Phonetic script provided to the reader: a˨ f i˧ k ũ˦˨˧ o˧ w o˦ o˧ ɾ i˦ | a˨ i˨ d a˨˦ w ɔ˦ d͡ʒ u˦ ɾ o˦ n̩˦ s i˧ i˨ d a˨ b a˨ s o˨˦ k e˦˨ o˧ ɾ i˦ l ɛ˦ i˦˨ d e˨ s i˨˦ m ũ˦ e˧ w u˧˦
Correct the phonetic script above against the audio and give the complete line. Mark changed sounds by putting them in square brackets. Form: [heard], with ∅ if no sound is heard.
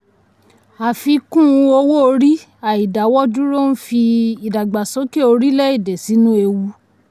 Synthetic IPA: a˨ f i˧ k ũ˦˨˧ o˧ w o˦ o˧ ɾ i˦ | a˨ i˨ d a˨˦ w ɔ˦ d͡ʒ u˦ ɾ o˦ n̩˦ [f] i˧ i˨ d a˨ [ɡ͡b] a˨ s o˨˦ k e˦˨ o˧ ɾ i˦ l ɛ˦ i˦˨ d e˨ s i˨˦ [n] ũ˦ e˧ w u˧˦